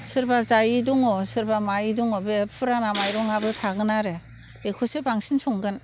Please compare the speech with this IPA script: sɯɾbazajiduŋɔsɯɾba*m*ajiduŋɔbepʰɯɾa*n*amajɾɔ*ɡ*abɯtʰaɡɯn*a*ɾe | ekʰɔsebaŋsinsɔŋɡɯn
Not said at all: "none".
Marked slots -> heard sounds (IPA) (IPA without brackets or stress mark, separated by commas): m, n, ŋ, a